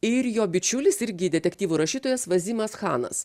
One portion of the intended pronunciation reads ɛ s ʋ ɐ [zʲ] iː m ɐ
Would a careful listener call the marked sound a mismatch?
no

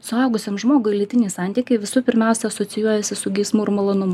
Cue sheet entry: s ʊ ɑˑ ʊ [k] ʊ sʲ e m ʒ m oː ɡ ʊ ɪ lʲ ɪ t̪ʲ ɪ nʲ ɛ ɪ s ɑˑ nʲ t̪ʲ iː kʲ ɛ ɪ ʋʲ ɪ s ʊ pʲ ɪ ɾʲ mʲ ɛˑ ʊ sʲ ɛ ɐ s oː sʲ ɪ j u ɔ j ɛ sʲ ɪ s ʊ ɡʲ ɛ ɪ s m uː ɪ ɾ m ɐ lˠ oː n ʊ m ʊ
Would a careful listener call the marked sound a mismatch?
yes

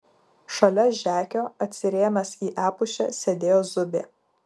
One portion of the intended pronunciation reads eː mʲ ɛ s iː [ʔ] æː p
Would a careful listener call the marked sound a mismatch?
no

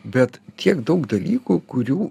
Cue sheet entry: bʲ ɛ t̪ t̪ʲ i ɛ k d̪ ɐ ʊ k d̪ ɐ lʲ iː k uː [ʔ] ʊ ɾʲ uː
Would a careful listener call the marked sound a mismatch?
yes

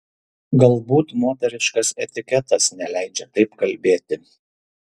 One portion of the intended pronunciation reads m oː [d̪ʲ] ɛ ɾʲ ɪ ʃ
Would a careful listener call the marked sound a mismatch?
yes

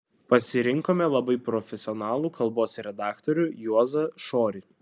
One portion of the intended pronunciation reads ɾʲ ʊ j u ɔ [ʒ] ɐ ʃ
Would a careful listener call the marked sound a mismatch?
yes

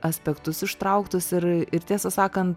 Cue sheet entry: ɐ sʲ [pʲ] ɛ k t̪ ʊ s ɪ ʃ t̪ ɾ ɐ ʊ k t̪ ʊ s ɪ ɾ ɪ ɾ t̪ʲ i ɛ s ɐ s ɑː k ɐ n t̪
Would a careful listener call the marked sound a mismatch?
no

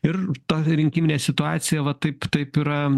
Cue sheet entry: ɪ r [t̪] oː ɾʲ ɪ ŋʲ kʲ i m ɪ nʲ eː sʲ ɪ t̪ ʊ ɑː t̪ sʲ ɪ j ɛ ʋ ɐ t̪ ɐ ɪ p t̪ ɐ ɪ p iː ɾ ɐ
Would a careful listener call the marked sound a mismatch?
no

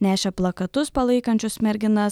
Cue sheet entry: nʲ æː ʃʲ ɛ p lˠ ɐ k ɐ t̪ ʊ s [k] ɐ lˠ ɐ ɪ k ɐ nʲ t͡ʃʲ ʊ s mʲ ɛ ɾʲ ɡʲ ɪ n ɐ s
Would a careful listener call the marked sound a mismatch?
yes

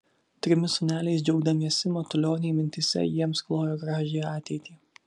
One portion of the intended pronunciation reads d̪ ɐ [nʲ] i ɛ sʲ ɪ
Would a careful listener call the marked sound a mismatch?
yes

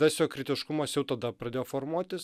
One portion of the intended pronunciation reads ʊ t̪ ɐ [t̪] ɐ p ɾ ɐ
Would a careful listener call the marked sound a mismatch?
yes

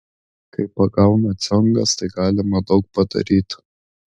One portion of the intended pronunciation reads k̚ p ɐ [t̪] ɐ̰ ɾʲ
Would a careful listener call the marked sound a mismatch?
yes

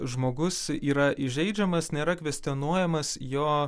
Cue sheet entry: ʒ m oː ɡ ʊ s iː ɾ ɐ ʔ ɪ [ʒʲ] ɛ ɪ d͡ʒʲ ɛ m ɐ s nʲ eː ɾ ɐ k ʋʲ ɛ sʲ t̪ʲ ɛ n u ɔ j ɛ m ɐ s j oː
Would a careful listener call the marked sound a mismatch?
no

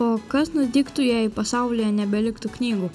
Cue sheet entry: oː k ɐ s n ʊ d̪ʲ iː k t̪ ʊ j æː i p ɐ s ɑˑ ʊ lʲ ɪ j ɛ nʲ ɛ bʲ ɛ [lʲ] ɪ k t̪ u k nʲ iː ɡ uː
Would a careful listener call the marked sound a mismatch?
no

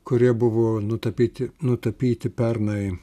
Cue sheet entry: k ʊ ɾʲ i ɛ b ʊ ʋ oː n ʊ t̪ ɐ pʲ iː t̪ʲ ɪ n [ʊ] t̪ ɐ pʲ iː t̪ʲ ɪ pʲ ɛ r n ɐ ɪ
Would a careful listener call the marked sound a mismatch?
no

